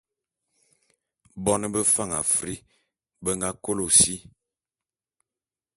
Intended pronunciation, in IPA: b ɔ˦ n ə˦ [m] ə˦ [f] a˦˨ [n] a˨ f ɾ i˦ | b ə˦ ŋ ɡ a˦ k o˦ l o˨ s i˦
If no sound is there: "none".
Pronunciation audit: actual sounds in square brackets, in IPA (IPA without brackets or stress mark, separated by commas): b, f, ŋ